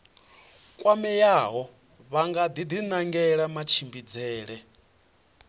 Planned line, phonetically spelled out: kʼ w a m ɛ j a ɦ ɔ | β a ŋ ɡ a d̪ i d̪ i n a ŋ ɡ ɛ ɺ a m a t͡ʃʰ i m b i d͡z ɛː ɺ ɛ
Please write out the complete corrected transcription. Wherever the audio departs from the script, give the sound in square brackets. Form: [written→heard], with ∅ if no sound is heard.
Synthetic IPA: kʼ w a m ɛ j a ɦ ɔ | β a ŋ ɡ a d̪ i d̪ i n a ŋ ɡ ɛ ɺ a m a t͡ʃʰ i m b i d͡z ɛː ɺ ɛ